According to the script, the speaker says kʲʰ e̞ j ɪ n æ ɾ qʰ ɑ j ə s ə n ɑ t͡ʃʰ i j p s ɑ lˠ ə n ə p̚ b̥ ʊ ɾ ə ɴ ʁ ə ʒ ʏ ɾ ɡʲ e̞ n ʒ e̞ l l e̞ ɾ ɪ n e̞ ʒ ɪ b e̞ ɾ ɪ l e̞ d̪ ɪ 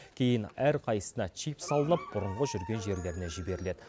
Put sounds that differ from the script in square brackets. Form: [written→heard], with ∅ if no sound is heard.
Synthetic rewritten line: kʲʰ e̞ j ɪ n æ ɾ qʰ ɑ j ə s ə n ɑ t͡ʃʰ i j p s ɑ lˠ ə n ə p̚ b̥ ʊ ɾ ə ɴ ʁ ə ʒ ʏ ɾ ɡʲ e̞ n ʒ e̞ [l→ɾ] l e̞ ɾ ɪ n e̞ ʒ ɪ b e̞ ɾ ɪ l e̞ d̪ ɪ